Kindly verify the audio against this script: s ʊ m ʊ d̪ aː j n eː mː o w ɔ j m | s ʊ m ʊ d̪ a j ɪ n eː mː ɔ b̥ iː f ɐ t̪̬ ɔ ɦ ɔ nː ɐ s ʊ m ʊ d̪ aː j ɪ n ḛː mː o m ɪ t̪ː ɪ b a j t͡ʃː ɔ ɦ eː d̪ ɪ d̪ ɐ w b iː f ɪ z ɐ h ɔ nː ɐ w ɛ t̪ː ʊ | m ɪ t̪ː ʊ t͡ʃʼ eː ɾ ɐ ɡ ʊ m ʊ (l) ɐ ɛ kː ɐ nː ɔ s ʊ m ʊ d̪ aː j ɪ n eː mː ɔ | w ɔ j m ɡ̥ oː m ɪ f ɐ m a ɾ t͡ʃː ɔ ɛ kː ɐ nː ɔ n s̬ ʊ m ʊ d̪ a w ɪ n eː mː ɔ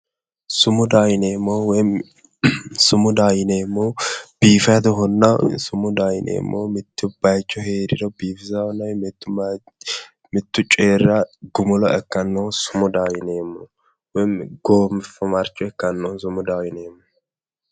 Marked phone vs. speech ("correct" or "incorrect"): correct